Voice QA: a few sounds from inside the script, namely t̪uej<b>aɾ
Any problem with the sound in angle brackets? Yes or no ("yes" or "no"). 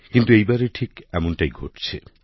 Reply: no